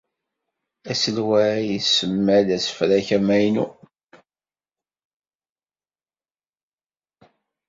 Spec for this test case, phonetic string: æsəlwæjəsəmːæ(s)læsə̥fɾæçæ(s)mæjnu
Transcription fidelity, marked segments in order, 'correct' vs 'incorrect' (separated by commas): incorrect, incorrect